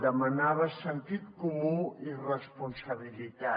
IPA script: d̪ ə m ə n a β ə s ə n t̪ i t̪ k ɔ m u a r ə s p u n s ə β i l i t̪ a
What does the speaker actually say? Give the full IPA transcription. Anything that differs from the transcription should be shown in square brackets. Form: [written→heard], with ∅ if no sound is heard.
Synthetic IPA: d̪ ə m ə n a β ə s ə n t̪ i t̪ k [ɔ→u] m u [a→i] r ə s p u n s ə β i l i t̪ a